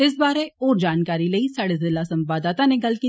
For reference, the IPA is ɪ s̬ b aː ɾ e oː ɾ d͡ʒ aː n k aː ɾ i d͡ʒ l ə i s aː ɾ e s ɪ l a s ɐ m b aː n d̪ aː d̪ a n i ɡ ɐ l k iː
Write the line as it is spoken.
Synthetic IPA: ɪ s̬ b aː ɾ e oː ɾ d͡ʒ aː n k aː ɾ i l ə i s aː ɽ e z ɪ l a s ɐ m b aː d̪ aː t̪ a n e ɡ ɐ l k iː